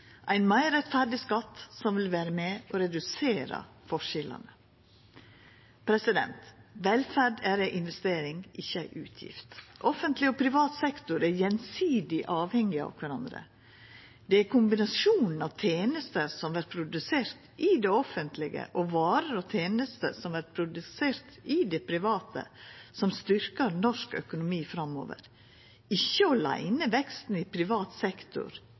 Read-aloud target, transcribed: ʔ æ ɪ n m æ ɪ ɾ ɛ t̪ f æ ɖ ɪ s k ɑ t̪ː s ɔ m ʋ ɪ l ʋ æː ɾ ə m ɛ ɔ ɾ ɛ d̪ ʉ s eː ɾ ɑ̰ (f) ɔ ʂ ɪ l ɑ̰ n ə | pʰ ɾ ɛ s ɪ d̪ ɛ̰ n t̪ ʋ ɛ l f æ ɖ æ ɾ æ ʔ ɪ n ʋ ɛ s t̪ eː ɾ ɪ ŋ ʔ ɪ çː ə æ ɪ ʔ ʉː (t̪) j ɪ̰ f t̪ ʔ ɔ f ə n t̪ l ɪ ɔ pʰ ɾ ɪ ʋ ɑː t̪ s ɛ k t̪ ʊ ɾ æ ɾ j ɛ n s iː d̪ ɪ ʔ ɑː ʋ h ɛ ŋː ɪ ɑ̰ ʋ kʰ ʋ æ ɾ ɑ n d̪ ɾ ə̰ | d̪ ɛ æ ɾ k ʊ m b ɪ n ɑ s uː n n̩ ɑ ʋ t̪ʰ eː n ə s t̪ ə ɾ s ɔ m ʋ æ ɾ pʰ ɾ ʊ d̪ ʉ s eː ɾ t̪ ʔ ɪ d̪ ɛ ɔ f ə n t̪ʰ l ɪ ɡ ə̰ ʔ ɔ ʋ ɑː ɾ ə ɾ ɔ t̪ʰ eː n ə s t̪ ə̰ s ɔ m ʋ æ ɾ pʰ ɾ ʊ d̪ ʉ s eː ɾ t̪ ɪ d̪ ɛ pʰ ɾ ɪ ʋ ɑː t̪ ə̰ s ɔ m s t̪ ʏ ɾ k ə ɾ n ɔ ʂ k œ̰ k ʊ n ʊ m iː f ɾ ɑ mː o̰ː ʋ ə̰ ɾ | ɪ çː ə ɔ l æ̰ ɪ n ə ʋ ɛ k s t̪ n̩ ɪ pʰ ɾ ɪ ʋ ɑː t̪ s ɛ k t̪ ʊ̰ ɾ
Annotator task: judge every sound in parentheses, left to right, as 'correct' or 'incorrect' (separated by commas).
correct, incorrect